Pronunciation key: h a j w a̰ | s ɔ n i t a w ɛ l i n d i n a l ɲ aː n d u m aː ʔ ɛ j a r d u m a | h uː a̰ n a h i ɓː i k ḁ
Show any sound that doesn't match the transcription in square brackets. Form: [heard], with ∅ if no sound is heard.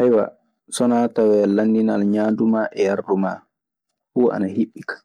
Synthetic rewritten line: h a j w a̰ | s ɔ n [a] t a w ɛ l [a] n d i n a l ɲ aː n d u m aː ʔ ɛ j a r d u m a | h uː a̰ n a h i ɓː i k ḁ